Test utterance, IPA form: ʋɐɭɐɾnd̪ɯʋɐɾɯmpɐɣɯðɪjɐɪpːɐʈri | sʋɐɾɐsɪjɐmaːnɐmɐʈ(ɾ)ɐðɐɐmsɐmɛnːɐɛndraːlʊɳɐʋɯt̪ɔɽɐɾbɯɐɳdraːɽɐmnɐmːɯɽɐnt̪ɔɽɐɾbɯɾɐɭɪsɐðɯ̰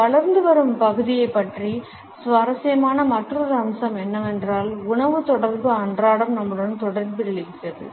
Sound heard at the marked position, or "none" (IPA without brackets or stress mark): r